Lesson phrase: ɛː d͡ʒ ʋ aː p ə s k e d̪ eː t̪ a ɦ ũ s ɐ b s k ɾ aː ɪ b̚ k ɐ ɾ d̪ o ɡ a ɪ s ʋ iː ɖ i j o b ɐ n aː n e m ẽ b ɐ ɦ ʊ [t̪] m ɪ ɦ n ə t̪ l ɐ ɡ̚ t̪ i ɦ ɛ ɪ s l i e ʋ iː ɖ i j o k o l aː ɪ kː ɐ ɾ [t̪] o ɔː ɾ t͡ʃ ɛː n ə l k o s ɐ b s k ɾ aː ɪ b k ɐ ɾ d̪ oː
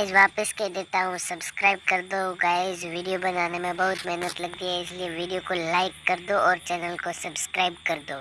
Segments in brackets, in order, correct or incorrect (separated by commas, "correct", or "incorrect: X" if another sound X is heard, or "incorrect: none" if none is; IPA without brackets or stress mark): correct, incorrect: d̪